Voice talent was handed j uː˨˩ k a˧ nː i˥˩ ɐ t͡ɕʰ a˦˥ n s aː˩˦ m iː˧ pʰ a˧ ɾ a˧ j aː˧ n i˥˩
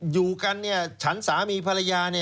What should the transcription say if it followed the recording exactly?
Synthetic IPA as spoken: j uː˨˩ k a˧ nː i˥˩ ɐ t͡ɕʰ a˦˥ n s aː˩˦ m iː˧ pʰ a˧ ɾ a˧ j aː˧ n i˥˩